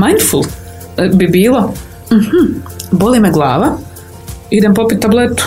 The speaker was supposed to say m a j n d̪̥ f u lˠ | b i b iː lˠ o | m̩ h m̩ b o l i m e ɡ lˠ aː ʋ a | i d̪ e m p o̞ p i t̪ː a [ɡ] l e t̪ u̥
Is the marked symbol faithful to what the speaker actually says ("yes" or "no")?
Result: no